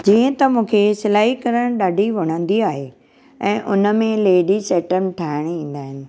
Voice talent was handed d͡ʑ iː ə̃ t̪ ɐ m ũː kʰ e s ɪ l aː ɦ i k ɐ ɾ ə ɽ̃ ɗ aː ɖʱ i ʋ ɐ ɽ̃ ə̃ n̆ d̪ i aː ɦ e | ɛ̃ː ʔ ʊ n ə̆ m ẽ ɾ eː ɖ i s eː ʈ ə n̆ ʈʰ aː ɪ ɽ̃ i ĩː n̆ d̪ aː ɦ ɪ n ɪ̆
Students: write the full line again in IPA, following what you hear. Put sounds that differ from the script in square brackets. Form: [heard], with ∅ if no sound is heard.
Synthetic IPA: d͡ʑ iː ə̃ t̪ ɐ m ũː kʰ e s ɪ l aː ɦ i k ɐ ɾ ə ɽ̃ ɗ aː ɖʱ i ʋ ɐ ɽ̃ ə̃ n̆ d̪ i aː ɦ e | ɛ̃ː ʔ ʊ n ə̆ m ẽ [l] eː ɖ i s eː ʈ ə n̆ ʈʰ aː ɪ ɽ̃ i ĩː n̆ d̪ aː ɦ ɪ n ɪ̆

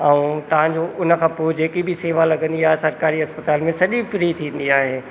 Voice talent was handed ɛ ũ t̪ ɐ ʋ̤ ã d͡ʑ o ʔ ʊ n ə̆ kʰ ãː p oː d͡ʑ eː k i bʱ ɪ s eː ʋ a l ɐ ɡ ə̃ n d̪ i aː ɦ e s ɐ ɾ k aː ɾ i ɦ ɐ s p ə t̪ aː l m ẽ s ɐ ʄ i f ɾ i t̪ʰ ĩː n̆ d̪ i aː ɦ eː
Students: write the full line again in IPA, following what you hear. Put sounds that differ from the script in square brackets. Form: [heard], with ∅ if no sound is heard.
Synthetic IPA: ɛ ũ t̪ ɐ ʋ̤ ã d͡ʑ o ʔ ʊ n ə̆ kʰ ãː p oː d͡ʑ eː k i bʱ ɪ s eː ʋ a l ɐ ɡ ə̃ n d̪ i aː ɦ e s ɐ ɾ k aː ɾ i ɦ ɐ s p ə t̪ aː l m ẽ s ɐ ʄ i f ɾ i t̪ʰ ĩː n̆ d̪ i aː ɦ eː

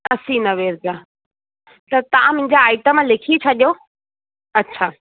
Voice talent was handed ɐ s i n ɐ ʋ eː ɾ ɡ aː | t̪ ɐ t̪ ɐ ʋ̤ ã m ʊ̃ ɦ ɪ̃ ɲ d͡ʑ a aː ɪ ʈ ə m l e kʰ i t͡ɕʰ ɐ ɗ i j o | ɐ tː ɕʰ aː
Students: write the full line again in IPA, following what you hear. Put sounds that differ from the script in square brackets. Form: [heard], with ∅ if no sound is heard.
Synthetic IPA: ɐ s i n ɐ ʋ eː ɾ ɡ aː | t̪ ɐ t̪ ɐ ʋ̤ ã m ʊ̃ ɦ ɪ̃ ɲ d͡ʑ a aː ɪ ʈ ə m l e kʰ i t͡ɕʰ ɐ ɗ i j o | ɐ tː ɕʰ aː

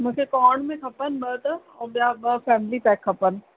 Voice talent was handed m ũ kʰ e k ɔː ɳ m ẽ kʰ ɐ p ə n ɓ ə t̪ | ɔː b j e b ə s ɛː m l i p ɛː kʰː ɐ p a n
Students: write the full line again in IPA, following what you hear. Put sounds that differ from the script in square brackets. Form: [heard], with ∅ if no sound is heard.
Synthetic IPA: m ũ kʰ e k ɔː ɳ m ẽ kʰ ɐ p ə n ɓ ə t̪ | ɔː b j [a] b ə [f] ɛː m l i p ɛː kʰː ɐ p [ə] n

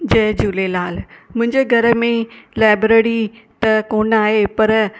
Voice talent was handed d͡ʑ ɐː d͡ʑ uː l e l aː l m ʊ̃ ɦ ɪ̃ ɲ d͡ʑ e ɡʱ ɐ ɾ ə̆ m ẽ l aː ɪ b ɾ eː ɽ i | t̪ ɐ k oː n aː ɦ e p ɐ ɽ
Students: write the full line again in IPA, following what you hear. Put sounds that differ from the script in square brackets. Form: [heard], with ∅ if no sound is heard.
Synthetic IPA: d͡ʑ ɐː d͡ʑ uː l e l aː l m ʊ̃ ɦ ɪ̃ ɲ d͡ʑ e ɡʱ ɐ ɾ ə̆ m ẽ l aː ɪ b ɾ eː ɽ i | t̪ ɐ k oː n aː ɦ e p ɐ [ɾ]

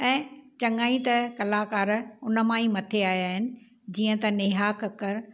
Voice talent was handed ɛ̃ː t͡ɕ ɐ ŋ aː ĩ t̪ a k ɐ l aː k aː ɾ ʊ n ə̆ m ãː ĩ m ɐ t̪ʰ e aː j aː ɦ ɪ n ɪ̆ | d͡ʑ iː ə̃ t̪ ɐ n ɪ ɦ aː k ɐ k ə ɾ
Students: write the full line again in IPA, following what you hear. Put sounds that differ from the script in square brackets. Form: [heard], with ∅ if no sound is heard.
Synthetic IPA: ɛ̃ː t͡ɕ ɐ ŋ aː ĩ t̪ [ɐ] k ɐ l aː k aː ɾ ʊ n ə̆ m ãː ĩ m ɐ t̪ʰ e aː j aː ɦ ɪ n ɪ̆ | d͡ʑ iː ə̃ t̪ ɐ n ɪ ɦ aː k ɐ k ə ɾ

